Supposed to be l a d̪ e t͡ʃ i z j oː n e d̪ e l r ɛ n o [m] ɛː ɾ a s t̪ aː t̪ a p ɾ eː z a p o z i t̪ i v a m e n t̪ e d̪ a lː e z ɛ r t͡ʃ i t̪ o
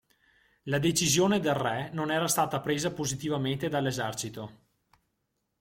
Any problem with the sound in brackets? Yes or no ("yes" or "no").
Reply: yes